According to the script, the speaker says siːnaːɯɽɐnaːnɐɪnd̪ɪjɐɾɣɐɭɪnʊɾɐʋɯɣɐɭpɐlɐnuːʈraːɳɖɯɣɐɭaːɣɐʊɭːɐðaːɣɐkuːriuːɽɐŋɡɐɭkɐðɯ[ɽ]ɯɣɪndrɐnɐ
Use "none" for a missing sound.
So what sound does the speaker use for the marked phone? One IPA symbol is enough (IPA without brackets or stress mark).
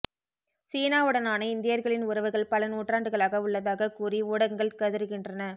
ɾ